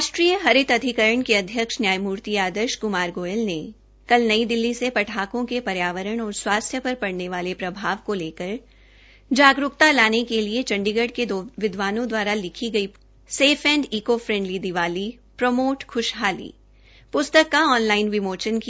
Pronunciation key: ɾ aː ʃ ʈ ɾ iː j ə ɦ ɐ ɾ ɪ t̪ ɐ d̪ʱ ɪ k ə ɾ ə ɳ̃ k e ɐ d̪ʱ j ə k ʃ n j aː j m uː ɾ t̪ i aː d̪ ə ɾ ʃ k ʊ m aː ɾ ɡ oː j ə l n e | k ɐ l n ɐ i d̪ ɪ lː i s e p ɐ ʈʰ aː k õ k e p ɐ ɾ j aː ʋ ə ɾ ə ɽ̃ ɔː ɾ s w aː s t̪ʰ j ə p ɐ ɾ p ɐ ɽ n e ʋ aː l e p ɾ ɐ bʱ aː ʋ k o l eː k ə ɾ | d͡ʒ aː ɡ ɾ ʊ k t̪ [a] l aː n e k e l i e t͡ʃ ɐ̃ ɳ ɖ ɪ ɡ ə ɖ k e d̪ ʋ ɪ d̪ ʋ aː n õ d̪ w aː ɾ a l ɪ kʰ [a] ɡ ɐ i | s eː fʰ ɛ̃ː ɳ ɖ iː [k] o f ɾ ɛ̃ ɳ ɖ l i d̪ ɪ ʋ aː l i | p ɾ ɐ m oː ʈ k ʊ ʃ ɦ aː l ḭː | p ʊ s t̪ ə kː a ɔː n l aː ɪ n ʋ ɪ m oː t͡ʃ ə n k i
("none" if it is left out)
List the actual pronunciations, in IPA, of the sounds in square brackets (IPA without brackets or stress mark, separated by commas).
a, i, k